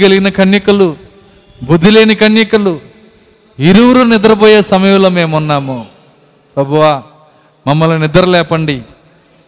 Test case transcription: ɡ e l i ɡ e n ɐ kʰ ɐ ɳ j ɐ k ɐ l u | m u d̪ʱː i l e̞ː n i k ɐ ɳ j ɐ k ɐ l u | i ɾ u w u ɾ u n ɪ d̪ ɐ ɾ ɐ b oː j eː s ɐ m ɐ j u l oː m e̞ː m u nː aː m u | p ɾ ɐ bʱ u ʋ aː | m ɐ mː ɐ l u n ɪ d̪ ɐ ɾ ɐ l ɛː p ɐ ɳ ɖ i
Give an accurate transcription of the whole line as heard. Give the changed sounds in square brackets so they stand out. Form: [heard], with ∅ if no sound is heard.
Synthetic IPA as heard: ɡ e l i ɡ [i] n ɐ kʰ ɐ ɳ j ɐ k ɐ l u | [b] u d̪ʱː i l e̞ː n i k ɐ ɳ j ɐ k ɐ l u | i ɾ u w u ɾ u n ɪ d̪ ɐ ɾ ɐ b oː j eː s ɐ m ɐ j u l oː m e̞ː m u nː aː m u | p ɾ ɐ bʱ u ʋ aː | m ɐ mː ɐ l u n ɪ d̪ ɐ ɾ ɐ l ɛː p ɐ ɳ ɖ i